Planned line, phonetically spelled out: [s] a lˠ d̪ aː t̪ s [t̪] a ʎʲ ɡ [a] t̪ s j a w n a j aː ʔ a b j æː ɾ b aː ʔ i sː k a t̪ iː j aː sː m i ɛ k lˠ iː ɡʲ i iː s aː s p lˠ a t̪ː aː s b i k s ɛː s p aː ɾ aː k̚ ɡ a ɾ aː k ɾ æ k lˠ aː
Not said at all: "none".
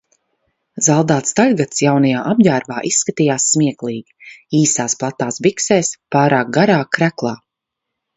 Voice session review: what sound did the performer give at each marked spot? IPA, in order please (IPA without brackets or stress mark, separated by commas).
z, t̪, a